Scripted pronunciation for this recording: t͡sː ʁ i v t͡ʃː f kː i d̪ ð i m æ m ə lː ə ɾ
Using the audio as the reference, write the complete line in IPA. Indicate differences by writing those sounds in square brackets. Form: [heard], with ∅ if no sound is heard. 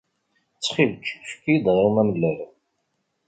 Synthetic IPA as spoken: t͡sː [χ] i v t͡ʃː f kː i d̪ [ʁ] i m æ m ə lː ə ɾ